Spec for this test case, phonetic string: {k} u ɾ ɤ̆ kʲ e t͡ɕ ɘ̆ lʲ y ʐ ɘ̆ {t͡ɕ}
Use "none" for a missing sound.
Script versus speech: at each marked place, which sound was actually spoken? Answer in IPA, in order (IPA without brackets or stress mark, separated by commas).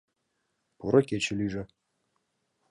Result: p, none